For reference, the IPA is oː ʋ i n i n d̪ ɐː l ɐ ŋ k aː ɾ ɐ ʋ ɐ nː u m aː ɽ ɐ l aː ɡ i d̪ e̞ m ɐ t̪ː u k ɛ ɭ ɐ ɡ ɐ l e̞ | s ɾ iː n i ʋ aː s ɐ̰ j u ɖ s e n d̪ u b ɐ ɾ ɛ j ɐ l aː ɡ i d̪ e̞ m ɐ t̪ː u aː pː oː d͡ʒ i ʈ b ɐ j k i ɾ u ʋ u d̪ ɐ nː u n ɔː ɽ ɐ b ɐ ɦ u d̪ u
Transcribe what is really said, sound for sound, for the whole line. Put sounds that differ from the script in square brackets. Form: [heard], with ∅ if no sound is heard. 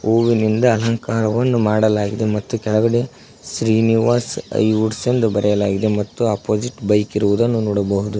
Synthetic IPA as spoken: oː ʋ i n i n d̪ ɐː l ɐ ŋ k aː ɾ ɐ ʋ ɐ nː u m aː ɽ ɐ l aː ɡ i d̪ e̞ m ɐ t̪ː u k ɛ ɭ ɐ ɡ ɐ [ɽ] e̞ | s ɾ iː n i ʋ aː s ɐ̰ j u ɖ s e n d̪ u b ɐ ɾ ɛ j ɐ l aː ɡ i d̪ e̞ m ɐ t̪ː u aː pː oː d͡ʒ i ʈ b ɐ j k i ɾ u ʋ u d̪ ɐ nː u n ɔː ɽ ɐ b ɐ ɦ u d̪ u